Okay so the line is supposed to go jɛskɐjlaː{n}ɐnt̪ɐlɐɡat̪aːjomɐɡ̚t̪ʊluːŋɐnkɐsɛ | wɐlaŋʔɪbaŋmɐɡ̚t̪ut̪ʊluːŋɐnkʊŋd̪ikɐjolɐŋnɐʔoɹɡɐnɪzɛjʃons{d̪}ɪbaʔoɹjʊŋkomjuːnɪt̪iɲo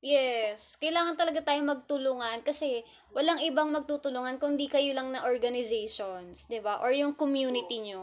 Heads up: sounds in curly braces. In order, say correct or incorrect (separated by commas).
incorrect, correct